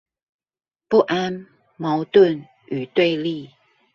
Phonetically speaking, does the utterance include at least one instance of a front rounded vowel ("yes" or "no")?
yes